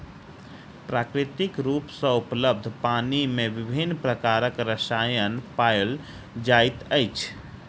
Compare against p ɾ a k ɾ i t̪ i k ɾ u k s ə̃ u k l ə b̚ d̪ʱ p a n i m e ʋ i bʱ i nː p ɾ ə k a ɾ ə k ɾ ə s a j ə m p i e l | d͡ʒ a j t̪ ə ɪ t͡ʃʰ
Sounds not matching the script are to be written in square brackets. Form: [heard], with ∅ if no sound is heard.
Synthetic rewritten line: p ɾ a k ɾ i t̪ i k ɾ u [p] s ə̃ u [p] l ə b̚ d̪ʱ p a n i m e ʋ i bʱ i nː p ɾ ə k a ɾ ə k ɾ ə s a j ə [n] p [a] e l | d͡ʒ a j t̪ ə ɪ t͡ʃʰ